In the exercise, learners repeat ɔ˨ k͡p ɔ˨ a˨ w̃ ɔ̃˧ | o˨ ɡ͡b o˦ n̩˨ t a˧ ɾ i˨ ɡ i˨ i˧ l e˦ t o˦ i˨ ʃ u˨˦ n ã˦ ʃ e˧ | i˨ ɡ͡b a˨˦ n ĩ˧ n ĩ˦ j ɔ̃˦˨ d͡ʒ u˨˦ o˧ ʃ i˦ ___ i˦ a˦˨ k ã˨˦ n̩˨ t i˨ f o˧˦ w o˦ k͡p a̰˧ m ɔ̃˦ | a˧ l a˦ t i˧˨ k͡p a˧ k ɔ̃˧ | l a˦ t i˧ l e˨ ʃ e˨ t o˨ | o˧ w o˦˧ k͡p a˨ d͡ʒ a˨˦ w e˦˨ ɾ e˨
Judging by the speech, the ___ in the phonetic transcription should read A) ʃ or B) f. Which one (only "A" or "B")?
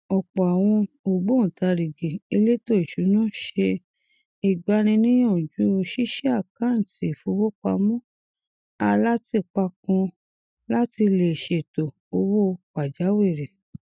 A